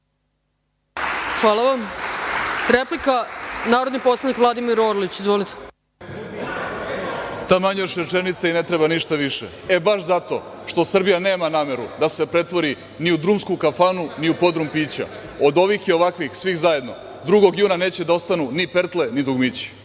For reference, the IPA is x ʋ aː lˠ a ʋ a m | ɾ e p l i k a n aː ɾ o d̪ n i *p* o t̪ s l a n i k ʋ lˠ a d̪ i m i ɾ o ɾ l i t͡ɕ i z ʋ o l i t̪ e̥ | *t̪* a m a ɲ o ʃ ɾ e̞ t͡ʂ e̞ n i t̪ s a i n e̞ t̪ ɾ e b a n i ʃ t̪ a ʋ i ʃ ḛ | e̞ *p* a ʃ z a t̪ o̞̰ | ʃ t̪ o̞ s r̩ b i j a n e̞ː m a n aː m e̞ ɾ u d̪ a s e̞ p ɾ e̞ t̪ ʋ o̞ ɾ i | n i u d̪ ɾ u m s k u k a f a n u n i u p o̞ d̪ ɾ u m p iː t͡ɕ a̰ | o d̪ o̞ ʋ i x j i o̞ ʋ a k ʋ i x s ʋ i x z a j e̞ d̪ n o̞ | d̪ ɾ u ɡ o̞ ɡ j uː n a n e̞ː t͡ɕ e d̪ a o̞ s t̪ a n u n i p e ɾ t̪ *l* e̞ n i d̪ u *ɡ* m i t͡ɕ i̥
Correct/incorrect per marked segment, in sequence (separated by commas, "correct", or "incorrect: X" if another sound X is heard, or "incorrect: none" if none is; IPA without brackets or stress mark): correct, correct, incorrect: b, correct, correct